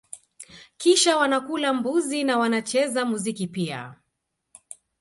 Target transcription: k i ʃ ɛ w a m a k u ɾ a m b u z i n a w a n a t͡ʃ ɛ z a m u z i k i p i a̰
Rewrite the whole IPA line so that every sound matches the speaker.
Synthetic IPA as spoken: k i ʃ a w a n a k u l a m b u z i n a w a n a t͡ʃ ɛ z a m u z i k i p i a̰

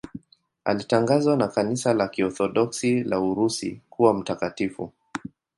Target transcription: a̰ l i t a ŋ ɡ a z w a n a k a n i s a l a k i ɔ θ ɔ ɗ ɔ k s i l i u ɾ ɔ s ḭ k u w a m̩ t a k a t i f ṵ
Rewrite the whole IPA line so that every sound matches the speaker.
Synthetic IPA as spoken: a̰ l i t a ŋ ɡ a z w a n a k a n i s a l a k i ɔ θ ɔ ɗ ɔ k s i l a u ɾ u s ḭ k u w a m̩ t a k a t i f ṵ

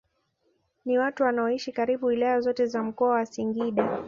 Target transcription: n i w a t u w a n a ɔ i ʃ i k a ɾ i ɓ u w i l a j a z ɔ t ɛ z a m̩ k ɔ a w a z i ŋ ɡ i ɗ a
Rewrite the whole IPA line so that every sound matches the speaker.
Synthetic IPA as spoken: n i w a t u w a n a ɔ i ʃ i k a ɾ i ɓ u w i l a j a z ɔ t ɛ z a m̩ k ɔ a w a s i ŋ ɡ i ɗ a

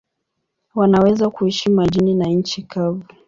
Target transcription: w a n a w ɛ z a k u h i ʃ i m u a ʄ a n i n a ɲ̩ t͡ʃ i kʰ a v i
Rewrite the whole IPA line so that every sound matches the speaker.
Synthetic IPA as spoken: w a n a w ɛ z a k u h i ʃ i m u a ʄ i n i n a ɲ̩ t͡ʃ i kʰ a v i

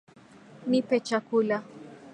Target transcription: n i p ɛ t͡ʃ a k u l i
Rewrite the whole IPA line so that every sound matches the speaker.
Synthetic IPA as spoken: n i p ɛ t͡ʃ a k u l a

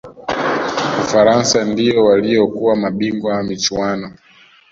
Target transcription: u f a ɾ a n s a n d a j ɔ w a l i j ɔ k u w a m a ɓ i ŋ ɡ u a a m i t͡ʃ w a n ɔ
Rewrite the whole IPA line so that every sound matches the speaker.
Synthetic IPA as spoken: u f a ɾ a n s a n d i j ɔ w a l i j ɔ k u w a m a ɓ i ŋ ɡ w a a m i t͡ʃ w a n ɔ

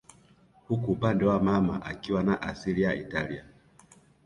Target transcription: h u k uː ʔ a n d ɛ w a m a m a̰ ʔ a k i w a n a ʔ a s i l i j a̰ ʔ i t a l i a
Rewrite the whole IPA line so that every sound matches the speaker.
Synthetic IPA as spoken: h u k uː p a n d ɛ w a m a m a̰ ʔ a k i w a n a ʔ a s i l i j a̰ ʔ i t a l i a

